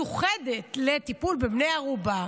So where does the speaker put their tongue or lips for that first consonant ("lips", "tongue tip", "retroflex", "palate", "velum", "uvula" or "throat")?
uvula